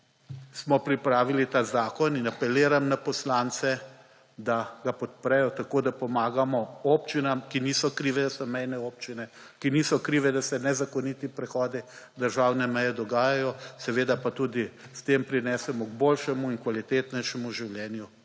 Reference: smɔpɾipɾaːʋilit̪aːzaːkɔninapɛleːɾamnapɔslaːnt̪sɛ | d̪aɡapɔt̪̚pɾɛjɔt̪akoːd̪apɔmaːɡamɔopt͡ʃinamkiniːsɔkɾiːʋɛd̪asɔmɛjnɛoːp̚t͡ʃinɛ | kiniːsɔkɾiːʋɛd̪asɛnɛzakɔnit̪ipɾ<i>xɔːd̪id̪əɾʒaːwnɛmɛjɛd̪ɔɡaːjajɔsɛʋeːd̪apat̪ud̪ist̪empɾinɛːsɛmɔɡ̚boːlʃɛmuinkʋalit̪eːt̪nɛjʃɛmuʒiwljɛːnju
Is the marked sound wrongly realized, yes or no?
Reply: yes